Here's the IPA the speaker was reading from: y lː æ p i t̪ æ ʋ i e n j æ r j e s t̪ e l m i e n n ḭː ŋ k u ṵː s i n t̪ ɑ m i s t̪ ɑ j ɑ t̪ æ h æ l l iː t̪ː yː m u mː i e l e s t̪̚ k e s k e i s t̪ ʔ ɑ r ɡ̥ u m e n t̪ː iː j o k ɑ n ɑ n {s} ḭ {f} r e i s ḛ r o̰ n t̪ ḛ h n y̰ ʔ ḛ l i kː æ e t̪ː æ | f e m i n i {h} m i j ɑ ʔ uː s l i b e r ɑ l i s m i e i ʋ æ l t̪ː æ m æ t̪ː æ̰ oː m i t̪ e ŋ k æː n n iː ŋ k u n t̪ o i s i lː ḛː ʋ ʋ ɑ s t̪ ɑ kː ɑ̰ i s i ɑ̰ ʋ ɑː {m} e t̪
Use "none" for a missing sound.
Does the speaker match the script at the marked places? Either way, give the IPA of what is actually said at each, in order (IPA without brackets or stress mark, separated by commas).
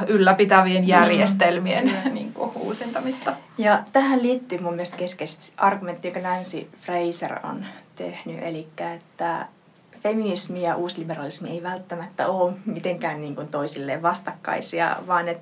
s, f, s, n